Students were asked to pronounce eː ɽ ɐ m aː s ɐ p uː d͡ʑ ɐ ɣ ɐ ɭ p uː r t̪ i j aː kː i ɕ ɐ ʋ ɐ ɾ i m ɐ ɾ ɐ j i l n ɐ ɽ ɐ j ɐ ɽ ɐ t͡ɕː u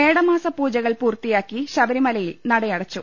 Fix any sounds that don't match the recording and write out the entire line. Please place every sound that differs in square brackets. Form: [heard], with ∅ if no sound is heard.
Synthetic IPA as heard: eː ɽ ɐ m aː s ɐ p uː d͡ʑ ɐ ɣ ɐ ɭ p uː r t̪ i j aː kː i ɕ ɐ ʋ ɐ ɾ i m ɐ [l] ɐ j i l n ɐ ɽ ɐ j ɐ ɽ ɐ t͡ɕː u